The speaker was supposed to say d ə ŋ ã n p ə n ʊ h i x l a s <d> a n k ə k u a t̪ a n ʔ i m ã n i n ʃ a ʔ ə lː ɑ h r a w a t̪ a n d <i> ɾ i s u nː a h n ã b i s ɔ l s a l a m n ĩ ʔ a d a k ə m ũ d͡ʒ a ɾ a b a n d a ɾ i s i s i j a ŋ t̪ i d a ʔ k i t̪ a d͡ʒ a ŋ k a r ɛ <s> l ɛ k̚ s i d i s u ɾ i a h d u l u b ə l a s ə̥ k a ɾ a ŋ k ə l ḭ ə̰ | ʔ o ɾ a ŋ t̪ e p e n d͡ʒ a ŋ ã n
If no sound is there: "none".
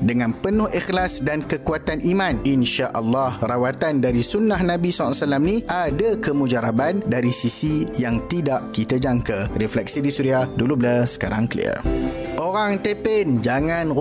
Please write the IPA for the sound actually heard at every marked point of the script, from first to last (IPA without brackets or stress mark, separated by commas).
d, a, f